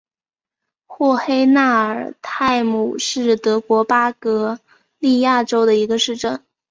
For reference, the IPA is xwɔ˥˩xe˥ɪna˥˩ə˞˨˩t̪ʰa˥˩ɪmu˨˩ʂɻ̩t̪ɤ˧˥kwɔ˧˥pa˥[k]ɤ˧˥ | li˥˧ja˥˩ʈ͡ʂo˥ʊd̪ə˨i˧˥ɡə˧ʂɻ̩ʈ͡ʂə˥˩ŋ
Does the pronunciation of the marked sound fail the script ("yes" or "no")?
no